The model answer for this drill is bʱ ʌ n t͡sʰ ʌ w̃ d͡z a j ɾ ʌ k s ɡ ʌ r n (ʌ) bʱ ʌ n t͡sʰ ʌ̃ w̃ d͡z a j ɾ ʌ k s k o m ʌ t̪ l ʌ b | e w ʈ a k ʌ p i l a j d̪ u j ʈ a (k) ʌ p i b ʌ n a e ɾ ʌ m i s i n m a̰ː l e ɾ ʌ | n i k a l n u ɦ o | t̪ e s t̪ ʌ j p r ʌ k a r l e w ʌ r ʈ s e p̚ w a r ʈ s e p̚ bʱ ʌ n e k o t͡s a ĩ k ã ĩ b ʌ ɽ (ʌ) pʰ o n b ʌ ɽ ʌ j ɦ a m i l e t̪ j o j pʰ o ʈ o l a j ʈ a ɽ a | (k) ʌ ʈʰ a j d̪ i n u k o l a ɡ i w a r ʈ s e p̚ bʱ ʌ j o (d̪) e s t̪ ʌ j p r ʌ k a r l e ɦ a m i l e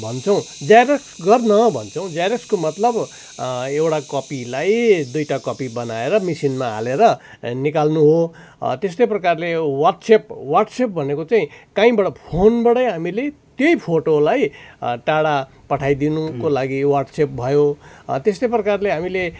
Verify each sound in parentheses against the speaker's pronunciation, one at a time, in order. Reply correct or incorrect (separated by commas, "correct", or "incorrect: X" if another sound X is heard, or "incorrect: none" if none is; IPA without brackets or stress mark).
correct, correct, correct, incorrect: p, incorrect: t̪